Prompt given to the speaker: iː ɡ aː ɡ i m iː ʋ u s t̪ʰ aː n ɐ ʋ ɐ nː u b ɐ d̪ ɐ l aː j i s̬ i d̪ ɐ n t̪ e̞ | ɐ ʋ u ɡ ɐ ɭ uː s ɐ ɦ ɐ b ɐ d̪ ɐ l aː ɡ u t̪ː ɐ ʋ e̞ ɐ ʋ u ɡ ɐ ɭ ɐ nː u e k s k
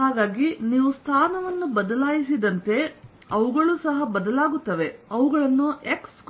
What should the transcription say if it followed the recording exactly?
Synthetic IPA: aː ɡ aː ɡ i n iː ʋ u s t̪ʰ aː n ɐ ʋ ɐ nː u b ɐ d̪ ɐ l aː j i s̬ i d̪ ɐ n t̪ e̞ | ɐ ʋ u ɡ ɐ ɭ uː s ɐ ɦ ɐ b ɐ d̪ ɐ l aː ɡ u t̪ː ɐ ʋ e̞ ɐ ʋ u ɡ ɐ ɭ ɐ nː u e k s k

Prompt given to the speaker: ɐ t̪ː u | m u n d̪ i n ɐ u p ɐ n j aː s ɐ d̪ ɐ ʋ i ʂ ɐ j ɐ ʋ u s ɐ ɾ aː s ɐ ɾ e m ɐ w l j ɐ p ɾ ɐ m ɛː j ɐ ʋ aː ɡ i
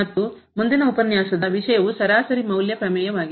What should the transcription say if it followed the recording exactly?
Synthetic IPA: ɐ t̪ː u | m u n d̪ i n ɐ u p ɐ n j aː s ɐ d̪ ɐ ʋ i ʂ ɐ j ɐ ʋ u s ɐ ɾ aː s ɐ ɾ i m ɐ w l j ɐ p ɾ ɐ m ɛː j ɐ ʋ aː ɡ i

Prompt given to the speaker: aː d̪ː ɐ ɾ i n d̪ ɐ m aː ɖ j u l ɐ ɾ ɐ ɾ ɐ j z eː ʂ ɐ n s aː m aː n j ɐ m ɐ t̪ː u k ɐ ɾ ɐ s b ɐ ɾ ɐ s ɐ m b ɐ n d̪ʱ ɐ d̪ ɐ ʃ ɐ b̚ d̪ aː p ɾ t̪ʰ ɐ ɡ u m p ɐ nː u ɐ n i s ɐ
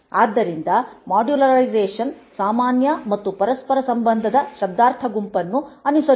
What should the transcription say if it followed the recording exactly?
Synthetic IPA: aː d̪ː ɐ ɾ i n d̪ ɐ m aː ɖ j u l ɐ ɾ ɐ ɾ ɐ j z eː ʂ ɐ n s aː m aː n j ɐ m ɐ t̪ː u p ɐ ɾ ɐ s p ɐ ɾ ɐ s ɐ m b ɐ n d̪ʱ ɐ d̪ ɐ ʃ ɐ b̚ d̪ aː ɾ t̪ʰ ɐ ɡ u m p ɐ nː u ɐ n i s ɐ

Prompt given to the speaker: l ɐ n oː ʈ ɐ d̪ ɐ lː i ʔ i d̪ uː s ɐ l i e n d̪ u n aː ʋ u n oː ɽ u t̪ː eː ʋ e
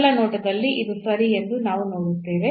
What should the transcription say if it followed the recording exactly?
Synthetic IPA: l ɐ n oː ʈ ɐ d̪ ɐ lː i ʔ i d̪ u s ɐ ɾ i e n d̪ u n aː ʋ u n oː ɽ u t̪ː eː ʋ e

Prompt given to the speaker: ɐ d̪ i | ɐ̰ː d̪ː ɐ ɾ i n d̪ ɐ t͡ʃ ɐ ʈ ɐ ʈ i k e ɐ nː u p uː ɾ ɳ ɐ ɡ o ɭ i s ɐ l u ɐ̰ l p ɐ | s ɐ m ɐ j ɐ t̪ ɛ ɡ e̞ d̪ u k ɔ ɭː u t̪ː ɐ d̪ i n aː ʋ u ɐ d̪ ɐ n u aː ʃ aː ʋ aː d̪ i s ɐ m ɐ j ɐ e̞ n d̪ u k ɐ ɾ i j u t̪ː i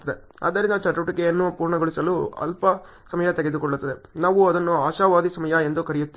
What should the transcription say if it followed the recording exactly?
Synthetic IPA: ɐ d̪ e | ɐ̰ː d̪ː ɐ ɾ i n d̪ ɐ t͡ʃ ɐ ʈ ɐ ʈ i k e ɐ nː u p uː ɾ ɳ ɐ ɡ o ɭ i s ɐ l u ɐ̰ l p ɐ | s ɐ m ɐ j ɐ t̪ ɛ ɡ e̞ d̪ u k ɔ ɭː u t̪ː ɐ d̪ e n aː ʋ u ɐ d̪ ɐ nː u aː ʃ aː ʋ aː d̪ i s ɐ m ɐ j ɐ e̞ n d̪ u k ɐ ɾ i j u t̪ː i

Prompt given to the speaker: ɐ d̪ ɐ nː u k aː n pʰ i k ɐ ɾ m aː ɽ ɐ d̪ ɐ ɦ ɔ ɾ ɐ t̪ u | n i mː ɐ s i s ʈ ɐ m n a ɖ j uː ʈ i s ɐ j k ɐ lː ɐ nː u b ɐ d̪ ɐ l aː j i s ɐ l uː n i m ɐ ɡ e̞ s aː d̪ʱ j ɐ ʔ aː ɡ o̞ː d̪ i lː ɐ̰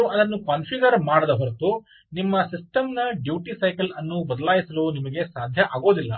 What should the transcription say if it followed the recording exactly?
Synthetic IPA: ɐ d̪ ɐ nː u k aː n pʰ i ɡ ɐ ɾ m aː ɽ ɐ d̪ ɐ ɦ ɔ ɾ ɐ t̪ u | n i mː ɐ s i s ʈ ɐ m n ɐ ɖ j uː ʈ i s ɐ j k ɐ l ɐ nː u b ɐ d̪ ɐ l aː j i s ɐ l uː n i m ɐ ɡ e̞ s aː d̪ʱ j ɐ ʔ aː ɡ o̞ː d̪ i lː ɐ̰

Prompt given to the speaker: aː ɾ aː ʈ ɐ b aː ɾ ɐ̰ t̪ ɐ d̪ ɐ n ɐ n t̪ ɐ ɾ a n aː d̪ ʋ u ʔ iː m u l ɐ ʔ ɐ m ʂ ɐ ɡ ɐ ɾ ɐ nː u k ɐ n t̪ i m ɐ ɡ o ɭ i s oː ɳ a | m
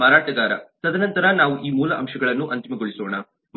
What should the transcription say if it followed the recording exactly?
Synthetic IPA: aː ɾ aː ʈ ɐ ɡ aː ɾ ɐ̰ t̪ ɐ d̪ ɐ n ɐ n t̪ ɐ ɾ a n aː ʋ u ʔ iː m uː l ɐ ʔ ɐ m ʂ ɐ ɡ ɐ ɭ ɐ nː u ʔ ɐ n t̪ i m ɐ ɡ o ɭ i s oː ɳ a | m

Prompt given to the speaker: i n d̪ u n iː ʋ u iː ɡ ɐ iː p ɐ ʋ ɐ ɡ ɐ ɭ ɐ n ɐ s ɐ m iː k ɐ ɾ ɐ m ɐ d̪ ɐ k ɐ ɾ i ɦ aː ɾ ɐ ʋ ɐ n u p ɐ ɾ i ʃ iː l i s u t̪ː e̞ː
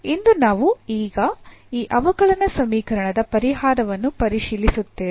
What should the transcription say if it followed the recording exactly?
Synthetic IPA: i n d̪ u n aː ʋ u iː ɡ ɐ iː ʔ ɐ ʋ ɐ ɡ ɐ ɭ ɐ n ɐ s ɐ m iː k ɐ ɾ ɐ ɳ ɐ d̪ ɐ p ɐ ɾ i ɦ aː ɾ ɐ ʋ ɐ nː u p ɐ ɾ i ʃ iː l i s u t̪ː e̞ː

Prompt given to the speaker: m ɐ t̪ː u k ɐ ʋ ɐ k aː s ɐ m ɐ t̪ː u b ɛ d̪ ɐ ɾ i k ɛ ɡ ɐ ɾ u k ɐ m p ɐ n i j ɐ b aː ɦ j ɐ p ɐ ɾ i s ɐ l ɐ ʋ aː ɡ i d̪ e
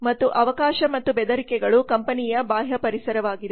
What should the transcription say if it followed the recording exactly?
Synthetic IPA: m ɐ t̪ː u ʔ ɐ ʋ ɐ k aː ʃ ɐ m ɐ t̪ː u b ɛ d̪ ɐ ɾ i k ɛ ɡ ɐ ɭ u k ɐ m p ɐ n i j ɐ b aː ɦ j ɐ p ɐ ɾ i s ɐ ɾ ɐ ʋ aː ɡ i d̪ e

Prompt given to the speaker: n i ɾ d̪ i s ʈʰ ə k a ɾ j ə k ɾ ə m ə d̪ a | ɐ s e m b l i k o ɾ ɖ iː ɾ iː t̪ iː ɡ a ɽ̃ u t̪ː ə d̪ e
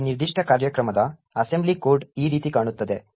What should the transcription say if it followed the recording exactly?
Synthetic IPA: n i ɾ d̪ i ʂ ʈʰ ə k a ɾ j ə k ɾ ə m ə d̪ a | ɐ s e m b l i k o ɾ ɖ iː ɾ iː t̪ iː k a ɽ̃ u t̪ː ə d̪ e

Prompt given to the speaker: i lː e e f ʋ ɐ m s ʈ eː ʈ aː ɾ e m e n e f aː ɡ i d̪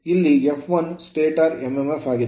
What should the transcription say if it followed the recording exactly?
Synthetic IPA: i lː i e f ʋ ɐ n s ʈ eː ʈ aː ɾ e m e m e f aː ɡ i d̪

